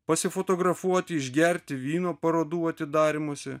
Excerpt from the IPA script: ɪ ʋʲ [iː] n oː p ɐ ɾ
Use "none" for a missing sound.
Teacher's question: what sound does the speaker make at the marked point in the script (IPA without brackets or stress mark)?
iː